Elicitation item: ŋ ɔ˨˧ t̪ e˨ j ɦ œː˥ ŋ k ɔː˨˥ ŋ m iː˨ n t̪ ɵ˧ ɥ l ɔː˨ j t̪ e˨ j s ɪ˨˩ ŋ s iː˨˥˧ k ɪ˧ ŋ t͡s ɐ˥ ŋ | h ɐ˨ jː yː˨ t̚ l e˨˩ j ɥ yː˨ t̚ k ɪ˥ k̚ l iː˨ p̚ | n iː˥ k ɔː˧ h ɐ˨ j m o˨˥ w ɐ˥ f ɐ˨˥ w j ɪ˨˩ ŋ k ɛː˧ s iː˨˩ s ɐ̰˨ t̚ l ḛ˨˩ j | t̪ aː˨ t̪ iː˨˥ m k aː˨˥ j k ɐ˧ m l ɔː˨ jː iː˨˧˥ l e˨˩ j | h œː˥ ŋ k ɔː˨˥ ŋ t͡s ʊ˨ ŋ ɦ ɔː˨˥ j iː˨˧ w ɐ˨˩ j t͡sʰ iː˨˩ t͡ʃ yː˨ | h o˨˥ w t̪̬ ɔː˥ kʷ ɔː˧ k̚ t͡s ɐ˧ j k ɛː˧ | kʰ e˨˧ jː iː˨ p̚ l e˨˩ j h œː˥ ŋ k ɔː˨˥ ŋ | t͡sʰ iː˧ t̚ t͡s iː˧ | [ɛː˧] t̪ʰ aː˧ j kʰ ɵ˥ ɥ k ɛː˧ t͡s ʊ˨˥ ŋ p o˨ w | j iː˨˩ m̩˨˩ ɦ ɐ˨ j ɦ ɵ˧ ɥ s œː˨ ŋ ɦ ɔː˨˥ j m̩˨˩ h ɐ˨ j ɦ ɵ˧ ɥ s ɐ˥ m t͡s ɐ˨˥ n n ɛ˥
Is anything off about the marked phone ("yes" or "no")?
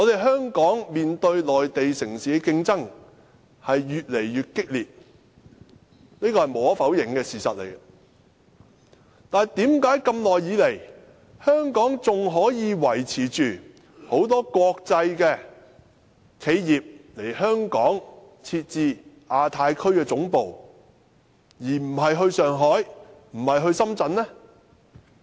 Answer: yes